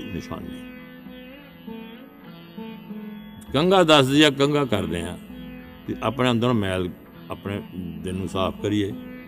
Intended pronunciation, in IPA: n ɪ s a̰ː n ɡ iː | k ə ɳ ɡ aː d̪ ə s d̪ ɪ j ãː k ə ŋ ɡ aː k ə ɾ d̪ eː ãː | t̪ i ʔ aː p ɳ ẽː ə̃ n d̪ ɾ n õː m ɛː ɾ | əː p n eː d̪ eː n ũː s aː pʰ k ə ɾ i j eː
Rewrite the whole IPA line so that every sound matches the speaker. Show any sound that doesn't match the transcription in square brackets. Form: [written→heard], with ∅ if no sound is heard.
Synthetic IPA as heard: n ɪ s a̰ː n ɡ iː | k ə [ɳ→ŋ] ɡ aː d̪ ə s d̪ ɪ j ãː k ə ŋ ɡ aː k ə ɾ d̪ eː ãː | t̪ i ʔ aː p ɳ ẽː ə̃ n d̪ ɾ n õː m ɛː [ɾ→l] | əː p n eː d̪ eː n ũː s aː pʰ k ə ɾ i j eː